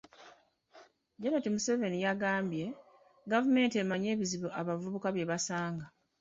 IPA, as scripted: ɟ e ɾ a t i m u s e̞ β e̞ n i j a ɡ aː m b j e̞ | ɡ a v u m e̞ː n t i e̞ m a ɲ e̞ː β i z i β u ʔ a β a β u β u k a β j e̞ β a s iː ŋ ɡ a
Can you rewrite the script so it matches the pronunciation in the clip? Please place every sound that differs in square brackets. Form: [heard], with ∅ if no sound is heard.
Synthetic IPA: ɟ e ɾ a t i m u s e̞ [v] e̞ n i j a ɡ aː m b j e̞ | ɡ a v u m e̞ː n t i e̞ m a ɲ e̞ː β i z i β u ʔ a β a [v] u β u k a β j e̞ β a s [aː] ŋ ɡ a